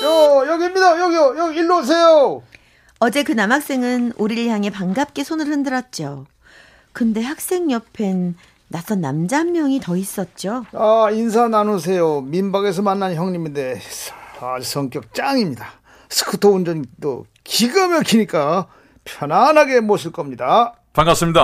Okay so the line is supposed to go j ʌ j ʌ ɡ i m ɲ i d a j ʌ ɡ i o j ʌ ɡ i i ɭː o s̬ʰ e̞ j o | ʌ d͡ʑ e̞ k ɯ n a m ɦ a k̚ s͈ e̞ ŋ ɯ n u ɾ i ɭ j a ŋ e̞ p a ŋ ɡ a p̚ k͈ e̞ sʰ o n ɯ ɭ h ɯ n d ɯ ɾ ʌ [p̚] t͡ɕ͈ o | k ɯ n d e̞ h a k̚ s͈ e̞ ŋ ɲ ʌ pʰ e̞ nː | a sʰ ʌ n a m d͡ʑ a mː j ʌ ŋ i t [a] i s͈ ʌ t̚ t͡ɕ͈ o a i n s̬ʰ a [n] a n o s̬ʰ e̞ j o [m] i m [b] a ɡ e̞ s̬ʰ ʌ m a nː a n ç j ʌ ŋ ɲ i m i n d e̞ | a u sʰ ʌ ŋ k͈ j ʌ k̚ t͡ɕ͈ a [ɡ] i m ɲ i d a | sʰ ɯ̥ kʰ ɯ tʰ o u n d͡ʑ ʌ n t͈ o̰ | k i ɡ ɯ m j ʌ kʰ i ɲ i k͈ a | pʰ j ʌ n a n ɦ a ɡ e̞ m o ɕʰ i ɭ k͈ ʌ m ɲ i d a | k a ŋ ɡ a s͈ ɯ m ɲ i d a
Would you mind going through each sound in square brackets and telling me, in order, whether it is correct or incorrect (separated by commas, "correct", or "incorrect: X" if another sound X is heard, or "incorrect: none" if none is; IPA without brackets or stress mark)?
incorrect: t̚, incorrect: ʌ, correct, correct, correct, incorrect: ŋ